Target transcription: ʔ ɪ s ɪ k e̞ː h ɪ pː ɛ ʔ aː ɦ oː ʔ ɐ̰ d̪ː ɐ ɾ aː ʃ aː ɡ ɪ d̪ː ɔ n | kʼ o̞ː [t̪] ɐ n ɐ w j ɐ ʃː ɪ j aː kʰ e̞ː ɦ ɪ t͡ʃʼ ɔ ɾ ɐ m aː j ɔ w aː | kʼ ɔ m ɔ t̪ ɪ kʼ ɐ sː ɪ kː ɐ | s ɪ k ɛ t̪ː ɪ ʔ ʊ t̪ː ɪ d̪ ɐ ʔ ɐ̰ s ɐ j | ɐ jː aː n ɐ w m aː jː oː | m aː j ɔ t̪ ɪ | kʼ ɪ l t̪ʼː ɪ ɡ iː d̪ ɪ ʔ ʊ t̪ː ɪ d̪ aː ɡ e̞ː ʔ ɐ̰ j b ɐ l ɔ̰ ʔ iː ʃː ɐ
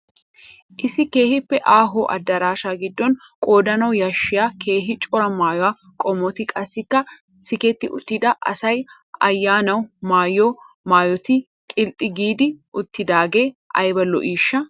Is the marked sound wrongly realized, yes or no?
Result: yes